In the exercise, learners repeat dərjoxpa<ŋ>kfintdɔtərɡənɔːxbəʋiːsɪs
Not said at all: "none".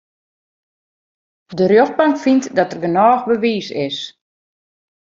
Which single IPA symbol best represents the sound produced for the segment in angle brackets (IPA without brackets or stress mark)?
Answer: ŋ